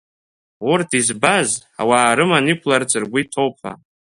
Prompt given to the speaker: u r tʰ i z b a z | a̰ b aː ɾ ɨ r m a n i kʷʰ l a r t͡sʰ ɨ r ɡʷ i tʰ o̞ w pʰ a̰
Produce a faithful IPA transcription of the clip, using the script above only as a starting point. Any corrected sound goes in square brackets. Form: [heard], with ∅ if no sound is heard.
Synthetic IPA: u r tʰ i z b a z | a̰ [w] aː ɾ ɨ [∅] m a n i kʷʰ l a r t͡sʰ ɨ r ɡʷ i tʰ o̞ w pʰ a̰